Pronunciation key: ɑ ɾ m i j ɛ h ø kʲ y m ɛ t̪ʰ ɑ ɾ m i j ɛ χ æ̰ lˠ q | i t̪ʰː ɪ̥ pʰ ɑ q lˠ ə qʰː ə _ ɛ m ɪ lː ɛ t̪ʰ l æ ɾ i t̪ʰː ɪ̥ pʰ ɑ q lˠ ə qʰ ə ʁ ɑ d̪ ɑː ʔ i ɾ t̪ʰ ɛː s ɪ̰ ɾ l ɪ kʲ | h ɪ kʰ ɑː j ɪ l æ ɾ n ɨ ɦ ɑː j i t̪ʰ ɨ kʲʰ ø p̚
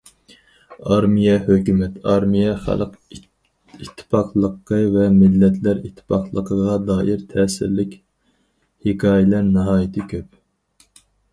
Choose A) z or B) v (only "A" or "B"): B